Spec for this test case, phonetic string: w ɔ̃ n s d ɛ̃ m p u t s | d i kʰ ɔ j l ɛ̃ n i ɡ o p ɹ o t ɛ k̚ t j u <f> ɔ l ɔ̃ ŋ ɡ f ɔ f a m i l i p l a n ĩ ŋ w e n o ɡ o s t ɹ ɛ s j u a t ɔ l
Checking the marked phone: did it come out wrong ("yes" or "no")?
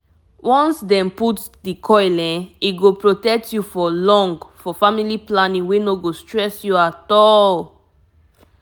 no